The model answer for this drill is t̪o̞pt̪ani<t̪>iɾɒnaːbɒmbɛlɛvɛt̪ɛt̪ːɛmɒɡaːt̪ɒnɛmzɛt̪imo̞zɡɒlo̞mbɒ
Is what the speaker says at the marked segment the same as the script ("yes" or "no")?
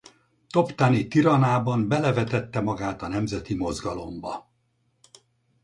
yes